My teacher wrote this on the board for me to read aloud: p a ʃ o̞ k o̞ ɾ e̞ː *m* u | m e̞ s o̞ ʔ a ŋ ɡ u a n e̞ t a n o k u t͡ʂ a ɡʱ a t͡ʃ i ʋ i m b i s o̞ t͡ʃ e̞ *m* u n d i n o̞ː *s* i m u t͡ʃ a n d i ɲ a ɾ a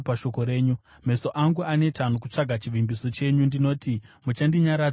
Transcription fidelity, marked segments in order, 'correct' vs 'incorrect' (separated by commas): incorrect, incorrect, incorrect